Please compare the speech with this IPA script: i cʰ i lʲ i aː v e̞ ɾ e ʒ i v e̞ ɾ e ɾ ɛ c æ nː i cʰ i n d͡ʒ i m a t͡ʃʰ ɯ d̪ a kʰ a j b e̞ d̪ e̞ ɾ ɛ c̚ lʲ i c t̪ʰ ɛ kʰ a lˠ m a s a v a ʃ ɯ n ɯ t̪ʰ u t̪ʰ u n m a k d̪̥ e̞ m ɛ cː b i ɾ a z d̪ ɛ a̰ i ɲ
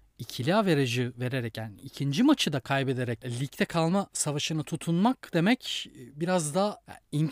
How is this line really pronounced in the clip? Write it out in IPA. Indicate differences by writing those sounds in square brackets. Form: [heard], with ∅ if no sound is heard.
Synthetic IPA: i cʰ i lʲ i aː v e̞ ɾ e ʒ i v e̞ ɾ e ɾ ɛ c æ [n] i cʰ i n d͡ʒ i m a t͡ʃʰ ɯ d̪ a kʰ a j b e̞ d̪ e̞ ɾ ɛ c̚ lʲ i c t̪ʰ ɛ kʰ a lˠ m a s a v a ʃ ɯ n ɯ t̪ʰ u t̪ʰ u n m a k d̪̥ e̞ m ɛ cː b i ɾ a z d̪ [a] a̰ i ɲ